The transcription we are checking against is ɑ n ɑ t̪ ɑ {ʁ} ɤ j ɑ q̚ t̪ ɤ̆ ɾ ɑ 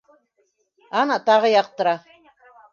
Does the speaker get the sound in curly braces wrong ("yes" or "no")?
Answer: no